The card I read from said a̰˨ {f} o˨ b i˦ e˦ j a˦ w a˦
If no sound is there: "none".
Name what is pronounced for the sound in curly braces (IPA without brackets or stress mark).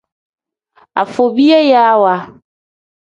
f